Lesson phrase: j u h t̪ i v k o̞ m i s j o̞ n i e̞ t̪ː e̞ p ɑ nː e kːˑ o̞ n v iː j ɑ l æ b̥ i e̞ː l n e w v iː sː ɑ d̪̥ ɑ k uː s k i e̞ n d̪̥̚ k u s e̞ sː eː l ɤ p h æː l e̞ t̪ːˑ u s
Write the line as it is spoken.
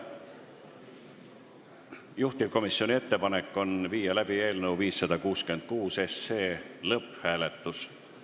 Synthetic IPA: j u h t̪ i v k o̞ m i s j o̞ n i e̞ t̪ː e̞ p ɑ n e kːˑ o̞ n v iː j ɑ l æ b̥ i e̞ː l n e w v iː sː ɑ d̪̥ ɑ k uː s k y e̞ n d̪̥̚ k uː s e̞ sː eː l ɤ p h æː l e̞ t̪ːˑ u s